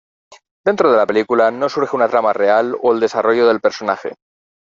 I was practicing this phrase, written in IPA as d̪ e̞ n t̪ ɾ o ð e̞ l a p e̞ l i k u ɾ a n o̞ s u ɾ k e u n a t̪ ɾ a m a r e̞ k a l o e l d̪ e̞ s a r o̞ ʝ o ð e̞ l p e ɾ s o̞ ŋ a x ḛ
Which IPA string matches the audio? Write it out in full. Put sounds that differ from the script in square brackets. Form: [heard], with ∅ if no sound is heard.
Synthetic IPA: d̪ e̞ n t̪ ɾ o ð e̞ l a p e̞ l i k u [l] a n o̞ s u ɾ [x] e u n a t̪ ɾ a m a r e̞ [∅] a l o e l d̪ e̞ s a r o̞ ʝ o ð e̞ l p e ɾ s o̞ [n] a x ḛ